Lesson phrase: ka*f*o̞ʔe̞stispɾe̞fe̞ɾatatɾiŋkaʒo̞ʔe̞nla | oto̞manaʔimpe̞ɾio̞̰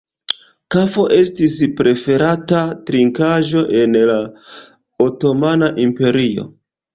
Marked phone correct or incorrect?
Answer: correct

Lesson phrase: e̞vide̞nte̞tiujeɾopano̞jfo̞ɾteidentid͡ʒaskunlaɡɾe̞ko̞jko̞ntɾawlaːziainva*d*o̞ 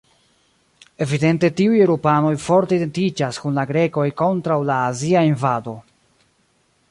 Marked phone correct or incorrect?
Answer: correct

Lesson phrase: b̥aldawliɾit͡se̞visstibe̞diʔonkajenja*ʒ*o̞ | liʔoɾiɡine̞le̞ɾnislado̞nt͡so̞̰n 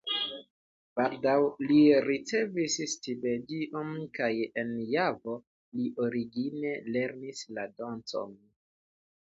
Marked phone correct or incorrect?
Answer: incorrect: v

